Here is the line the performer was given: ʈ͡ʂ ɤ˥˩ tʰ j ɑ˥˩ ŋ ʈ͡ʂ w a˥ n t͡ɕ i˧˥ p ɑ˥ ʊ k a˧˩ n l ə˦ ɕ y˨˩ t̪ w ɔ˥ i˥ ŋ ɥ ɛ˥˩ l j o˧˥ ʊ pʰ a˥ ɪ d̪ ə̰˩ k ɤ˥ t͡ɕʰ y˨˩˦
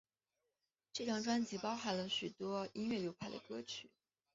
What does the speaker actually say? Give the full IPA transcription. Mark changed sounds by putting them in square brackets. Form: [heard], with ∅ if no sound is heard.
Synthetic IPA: ʈ͡ʂ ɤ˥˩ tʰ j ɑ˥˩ ŋ ʈ͡ʂ w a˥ n t͡ɕ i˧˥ p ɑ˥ ʊ [x] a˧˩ n l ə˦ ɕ y˨˩ t̪ w ɔ˥ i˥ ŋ ɥ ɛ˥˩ l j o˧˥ ʊ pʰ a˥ ɪ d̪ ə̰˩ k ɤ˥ t͡ɕʰ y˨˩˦